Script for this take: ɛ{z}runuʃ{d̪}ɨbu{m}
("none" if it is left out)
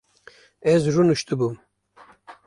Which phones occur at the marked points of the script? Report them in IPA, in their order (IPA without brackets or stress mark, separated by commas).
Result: z, t̪, m